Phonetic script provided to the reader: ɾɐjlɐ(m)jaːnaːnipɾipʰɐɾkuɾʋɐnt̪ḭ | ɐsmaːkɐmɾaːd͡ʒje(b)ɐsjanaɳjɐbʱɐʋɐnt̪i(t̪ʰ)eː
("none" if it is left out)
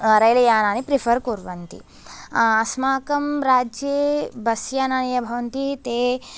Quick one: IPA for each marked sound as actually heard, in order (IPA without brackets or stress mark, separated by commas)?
none, b, t̪